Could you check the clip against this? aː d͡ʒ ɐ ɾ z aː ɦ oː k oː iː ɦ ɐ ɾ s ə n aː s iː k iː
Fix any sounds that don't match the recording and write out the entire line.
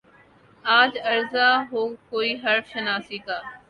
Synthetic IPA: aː d͡ʒ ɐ ɾ z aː ɦ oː k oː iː ɦ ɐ ɾ ʃ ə n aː s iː k aː